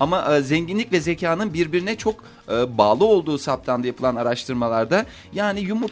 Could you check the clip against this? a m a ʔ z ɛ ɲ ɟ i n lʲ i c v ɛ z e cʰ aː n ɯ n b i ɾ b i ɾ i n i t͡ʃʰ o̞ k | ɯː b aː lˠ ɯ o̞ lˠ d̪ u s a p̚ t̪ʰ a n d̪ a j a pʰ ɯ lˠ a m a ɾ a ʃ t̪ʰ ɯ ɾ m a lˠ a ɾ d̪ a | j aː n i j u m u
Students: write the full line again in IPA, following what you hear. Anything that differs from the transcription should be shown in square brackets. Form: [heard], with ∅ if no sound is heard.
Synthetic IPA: a m a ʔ z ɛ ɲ ɟ i n lʲ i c v ɛ z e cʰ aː n ɯ n b i ɾ b i ɾ i n [ɛ] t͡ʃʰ o̞ k | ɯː b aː lˠ ɯ o̞ lˠ d̪ [uː] s a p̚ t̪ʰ a n d̪ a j a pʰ ɯ lˠ a [n] a ɾ a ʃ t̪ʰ ɯ ɾ m a lˠ a ɾ d̪ a | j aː n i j u m u